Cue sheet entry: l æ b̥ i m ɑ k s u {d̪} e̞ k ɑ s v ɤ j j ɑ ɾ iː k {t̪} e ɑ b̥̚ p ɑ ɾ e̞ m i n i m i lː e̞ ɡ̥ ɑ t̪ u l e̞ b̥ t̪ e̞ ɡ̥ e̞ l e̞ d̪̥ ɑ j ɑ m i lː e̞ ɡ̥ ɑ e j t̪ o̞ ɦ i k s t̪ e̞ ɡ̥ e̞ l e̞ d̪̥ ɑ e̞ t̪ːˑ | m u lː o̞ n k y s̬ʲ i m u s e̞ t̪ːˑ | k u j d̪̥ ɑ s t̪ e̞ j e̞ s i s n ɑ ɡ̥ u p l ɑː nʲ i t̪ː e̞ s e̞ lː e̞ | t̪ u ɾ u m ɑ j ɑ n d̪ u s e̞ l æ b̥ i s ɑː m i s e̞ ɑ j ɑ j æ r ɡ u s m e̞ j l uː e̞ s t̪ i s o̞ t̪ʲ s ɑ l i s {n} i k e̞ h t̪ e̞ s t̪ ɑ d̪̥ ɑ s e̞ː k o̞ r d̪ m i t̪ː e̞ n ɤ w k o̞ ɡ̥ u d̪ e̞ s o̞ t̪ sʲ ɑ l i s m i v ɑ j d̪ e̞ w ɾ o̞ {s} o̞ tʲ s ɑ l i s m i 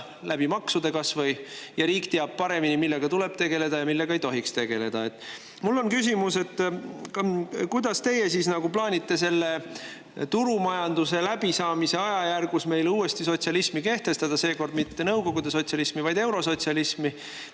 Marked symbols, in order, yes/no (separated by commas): yes, yes, no, yes